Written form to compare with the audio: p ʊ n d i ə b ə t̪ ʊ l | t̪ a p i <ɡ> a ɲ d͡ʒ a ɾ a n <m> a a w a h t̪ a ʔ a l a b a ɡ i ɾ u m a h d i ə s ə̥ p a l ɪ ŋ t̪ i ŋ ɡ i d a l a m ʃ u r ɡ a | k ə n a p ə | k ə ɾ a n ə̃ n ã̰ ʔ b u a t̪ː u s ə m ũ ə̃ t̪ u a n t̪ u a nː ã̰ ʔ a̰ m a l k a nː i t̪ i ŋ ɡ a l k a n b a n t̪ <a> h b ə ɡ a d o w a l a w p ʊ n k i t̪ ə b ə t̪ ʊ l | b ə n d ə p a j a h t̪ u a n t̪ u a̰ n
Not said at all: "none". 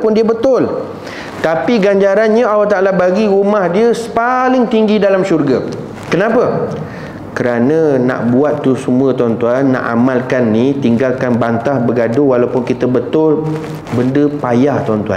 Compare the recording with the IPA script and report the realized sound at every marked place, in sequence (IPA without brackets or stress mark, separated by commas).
ɡ, ɲ, a